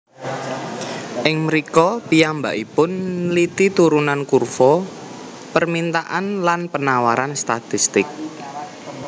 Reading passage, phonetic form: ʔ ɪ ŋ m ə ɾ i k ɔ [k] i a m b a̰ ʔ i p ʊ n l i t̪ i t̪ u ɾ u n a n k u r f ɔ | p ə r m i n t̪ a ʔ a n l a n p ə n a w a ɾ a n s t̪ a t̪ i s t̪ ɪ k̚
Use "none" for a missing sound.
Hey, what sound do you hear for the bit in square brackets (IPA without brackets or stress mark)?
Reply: p